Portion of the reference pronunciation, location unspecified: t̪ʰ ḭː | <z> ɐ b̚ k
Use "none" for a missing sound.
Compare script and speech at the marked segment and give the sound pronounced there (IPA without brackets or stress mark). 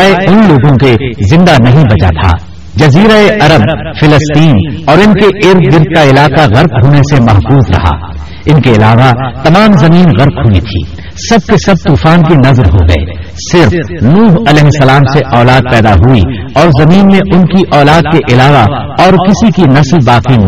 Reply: s